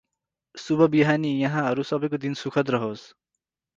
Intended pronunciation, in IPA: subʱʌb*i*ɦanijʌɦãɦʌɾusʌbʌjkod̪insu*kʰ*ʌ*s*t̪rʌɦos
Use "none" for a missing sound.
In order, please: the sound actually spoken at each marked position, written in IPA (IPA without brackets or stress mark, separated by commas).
i, kʰ, none